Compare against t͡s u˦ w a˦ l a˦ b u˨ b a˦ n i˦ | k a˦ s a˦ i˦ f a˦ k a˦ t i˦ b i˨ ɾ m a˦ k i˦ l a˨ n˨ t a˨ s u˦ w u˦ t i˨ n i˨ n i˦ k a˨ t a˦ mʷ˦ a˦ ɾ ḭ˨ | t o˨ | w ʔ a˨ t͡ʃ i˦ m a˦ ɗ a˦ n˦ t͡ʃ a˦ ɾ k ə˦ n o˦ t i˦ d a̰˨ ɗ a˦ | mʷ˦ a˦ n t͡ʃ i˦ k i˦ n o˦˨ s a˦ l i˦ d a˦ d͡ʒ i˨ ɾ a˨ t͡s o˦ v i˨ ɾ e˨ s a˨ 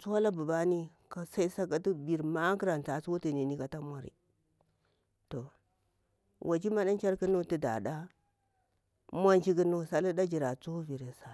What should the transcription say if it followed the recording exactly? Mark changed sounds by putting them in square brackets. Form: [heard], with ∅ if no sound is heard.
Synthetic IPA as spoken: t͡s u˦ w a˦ l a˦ b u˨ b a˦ n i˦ | k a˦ s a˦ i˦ [s] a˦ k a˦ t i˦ b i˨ ɾ m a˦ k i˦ [ɾ] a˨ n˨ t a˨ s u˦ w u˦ t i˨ n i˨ n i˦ k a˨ t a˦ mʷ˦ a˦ ɾ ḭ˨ | t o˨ | w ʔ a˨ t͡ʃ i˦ m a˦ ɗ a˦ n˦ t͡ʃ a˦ ɾ k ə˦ n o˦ t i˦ d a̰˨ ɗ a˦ | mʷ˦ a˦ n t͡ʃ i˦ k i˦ n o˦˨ s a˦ l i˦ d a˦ d͡ʒ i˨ ɾ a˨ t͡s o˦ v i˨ ɾ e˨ s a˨